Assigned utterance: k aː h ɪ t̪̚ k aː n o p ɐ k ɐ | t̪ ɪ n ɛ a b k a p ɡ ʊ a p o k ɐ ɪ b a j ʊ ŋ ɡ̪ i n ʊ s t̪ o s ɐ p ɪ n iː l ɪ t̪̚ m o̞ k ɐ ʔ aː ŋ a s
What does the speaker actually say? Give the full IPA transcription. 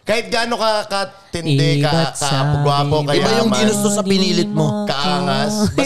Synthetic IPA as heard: k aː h ɪ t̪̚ ɡ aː n o k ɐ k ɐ | t̪ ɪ n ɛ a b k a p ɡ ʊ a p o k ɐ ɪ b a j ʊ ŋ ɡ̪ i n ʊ s t̪ o s ɐ p ɪ n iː l ɪ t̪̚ m o̞ k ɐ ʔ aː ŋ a s